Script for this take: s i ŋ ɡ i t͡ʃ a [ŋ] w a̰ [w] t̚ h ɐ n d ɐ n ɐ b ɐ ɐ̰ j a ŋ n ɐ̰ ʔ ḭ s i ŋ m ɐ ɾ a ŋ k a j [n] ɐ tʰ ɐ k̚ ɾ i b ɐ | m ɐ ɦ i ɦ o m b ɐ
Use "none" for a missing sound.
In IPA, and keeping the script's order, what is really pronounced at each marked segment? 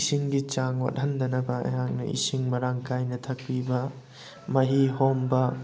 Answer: ŋ, none, n

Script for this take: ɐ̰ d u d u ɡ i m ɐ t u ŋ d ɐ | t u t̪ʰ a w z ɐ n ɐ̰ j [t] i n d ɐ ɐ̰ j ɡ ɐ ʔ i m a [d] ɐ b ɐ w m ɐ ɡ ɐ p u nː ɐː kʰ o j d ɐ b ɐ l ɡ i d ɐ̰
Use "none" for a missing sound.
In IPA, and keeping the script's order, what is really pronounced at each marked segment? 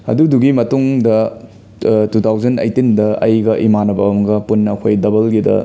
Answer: t, n

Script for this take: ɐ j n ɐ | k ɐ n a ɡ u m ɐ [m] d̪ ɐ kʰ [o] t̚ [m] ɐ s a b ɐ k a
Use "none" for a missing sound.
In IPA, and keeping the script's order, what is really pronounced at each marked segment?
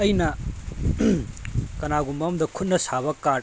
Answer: m, u, n

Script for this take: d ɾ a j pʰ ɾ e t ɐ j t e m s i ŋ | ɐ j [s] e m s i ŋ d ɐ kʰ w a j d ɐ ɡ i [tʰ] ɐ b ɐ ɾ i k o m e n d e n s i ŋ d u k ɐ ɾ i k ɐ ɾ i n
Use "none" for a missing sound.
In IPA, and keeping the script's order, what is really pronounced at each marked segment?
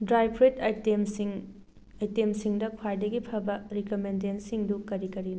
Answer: t, pʰ

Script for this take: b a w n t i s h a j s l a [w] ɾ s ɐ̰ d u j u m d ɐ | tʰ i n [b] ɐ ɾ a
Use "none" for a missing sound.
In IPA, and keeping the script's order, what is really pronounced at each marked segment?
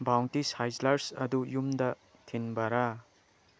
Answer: none, b

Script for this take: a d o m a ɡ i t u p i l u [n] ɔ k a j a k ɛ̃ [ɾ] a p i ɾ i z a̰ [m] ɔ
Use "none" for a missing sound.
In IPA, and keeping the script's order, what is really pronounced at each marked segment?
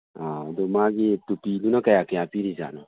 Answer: n, none, n

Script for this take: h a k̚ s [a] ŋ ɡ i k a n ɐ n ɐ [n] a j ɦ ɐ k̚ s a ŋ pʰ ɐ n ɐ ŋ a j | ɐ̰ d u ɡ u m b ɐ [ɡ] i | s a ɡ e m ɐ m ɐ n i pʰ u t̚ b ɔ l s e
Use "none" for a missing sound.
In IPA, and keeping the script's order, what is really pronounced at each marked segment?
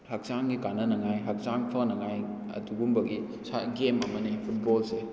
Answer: a, ŋ, ɡ

